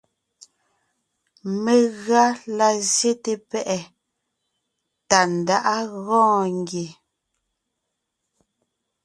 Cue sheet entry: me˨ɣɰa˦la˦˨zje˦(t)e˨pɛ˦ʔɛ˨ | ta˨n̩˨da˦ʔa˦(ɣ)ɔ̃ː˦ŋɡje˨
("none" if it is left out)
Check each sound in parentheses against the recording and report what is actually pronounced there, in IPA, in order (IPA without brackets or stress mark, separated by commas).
t, ɣ